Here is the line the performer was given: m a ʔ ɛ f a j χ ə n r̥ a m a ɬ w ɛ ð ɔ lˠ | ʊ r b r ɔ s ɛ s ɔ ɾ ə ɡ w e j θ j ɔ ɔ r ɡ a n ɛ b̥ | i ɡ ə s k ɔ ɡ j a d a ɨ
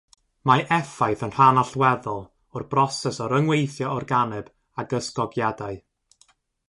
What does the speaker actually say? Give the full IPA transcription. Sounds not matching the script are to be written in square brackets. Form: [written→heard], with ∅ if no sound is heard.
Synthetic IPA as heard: m a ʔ ɛ f a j [χ→θ] ə n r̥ a [m→n] a ɬ w ɛ ð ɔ lˠ | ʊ r b r ɔ s ɛ s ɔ ɾ ə [ɡ→ŋ] w e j θ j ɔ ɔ r ɡ a n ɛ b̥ | [i→a] ɡ ə s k ɔ ɡ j a d a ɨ